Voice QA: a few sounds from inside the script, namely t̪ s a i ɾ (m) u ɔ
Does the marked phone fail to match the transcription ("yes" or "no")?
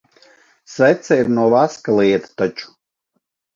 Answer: yes